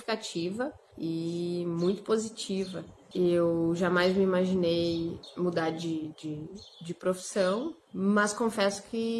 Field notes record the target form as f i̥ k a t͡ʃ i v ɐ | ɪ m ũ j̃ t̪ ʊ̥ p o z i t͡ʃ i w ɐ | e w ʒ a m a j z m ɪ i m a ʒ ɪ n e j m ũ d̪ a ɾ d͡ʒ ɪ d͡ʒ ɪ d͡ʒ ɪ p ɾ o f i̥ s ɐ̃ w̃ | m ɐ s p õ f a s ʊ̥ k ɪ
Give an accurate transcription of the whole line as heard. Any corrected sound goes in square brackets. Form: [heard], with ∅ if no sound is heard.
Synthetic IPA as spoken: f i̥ k a t͡ʃ i v ɐ | ɪ m ũ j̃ t̪ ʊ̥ p o z i t͡ʃ i [v] ɐ | e w ʒ a m a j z m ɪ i m a ʒ [i] n e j m [u] d̪ a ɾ d͡ʒ ɪ d͡ʒ ɪ d͡ʒ ɪ p ɾ o f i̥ s ɐ̃ w̃ | m ɐ s [k] õ f [ɛ] s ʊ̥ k ɪ